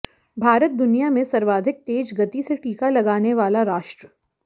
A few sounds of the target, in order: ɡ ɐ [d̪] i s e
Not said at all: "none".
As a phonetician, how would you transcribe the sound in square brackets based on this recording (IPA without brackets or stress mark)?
t̪